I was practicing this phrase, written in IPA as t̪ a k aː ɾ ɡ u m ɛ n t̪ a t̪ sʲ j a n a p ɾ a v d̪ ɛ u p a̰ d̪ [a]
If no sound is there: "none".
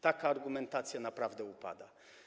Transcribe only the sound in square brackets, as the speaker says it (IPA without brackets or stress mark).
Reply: a